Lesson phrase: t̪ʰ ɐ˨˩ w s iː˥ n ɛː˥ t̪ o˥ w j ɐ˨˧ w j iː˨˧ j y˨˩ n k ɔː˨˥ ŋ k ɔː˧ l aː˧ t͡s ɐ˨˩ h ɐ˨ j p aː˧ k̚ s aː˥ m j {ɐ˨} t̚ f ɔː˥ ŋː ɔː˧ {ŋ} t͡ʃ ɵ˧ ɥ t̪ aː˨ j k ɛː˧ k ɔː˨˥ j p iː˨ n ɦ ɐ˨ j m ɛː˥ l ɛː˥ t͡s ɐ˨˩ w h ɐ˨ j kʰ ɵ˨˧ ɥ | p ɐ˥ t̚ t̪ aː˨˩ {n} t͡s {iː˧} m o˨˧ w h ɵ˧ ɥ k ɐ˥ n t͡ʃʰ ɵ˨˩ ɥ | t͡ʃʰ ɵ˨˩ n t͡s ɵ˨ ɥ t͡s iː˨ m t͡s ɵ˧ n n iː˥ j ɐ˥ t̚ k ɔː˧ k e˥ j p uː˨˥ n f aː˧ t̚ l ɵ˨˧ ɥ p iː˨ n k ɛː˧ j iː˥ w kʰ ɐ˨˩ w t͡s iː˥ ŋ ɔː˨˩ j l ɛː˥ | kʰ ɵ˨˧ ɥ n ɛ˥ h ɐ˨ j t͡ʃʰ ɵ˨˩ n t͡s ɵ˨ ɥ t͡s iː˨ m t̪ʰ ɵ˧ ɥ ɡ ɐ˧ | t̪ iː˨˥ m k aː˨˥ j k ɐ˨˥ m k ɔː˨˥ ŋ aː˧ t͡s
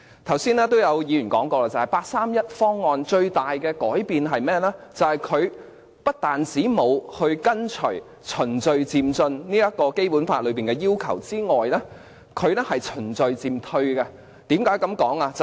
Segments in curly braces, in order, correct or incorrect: incorrect: ɐ˥, incorrect: n, correct, incorrect: iː˨˥

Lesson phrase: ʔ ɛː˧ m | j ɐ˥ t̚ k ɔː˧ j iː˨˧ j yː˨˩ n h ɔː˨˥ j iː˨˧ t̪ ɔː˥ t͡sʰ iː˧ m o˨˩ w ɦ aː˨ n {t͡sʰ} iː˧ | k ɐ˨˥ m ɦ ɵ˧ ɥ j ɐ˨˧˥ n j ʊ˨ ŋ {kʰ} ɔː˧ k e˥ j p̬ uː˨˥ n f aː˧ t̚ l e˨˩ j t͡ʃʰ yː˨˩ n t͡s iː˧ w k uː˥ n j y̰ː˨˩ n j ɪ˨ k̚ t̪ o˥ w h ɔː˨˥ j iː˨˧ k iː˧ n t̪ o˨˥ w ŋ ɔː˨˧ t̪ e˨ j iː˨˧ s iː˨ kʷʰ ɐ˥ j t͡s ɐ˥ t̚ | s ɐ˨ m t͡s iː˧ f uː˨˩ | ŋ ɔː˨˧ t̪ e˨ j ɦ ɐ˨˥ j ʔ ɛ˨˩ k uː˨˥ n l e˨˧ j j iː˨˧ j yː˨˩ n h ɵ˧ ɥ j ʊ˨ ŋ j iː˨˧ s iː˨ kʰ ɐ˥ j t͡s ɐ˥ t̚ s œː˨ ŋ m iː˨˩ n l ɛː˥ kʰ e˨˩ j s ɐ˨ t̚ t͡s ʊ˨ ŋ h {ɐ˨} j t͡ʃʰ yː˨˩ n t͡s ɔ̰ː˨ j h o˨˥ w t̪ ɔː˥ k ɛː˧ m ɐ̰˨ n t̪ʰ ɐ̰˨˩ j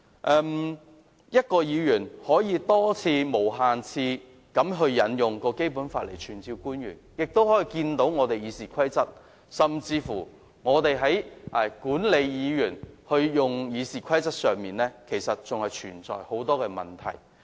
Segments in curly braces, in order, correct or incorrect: correct, incorrect: k, correct

